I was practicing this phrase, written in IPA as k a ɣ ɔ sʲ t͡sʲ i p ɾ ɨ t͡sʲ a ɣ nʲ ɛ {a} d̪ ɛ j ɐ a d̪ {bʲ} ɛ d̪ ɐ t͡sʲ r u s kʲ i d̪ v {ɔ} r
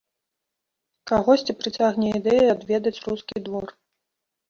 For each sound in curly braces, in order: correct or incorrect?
incorrect: i, incorrect: vʲ, correct

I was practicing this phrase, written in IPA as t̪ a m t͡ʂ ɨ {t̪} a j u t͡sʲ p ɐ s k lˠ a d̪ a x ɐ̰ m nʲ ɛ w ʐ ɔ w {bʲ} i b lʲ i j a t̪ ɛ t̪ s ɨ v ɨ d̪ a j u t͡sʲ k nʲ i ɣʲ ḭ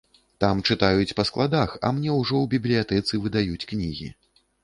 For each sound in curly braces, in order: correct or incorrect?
correct, correct

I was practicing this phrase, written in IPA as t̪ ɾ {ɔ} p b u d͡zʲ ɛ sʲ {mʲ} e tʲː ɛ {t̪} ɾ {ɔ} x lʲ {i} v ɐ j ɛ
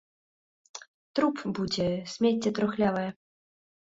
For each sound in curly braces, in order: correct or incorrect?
incorrect: u, correct, correct, correct, incorrect: a

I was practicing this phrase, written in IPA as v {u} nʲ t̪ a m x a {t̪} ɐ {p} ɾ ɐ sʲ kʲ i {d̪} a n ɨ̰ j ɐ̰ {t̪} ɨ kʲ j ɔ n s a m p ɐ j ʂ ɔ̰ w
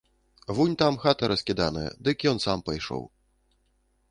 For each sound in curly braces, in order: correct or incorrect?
correct, correct, incorrect: none, correct, incorrect: d̪

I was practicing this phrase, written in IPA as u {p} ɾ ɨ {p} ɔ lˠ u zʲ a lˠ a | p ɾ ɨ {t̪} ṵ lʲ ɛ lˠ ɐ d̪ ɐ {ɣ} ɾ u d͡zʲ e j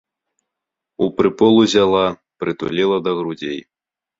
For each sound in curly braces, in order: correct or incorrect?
correct, correct, correct, correct

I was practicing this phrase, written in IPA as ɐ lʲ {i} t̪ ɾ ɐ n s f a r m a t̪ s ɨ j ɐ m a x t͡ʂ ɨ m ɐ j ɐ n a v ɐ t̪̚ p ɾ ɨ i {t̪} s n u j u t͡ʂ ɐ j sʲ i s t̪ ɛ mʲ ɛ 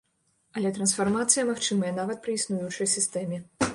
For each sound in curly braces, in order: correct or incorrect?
incorrect: ɛ, incorrect: none

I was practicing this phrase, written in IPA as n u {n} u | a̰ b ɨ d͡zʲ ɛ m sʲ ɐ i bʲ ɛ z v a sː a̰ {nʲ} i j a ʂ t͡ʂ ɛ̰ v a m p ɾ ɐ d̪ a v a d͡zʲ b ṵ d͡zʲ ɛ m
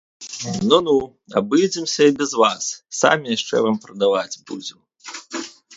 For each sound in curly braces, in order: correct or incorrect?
correct, incorrect: mʲ

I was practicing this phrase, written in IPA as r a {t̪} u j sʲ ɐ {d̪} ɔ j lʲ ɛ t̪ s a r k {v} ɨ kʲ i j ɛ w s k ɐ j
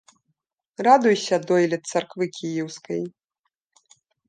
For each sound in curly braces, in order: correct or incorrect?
incorrect: d̪, correct, correct

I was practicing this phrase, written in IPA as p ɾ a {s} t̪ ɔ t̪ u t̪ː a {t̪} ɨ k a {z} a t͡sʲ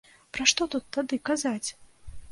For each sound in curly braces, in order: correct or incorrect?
incorrect: ʂ, incorrect: d̪, correct

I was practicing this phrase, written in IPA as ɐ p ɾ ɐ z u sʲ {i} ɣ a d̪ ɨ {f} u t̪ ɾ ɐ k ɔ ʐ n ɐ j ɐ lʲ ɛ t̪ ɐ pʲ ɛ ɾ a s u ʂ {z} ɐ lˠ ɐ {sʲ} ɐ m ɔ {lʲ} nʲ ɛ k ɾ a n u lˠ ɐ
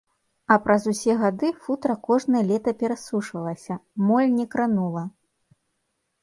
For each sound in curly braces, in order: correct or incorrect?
incorrect: ɛ, correct, incorrect: v, correct, correct

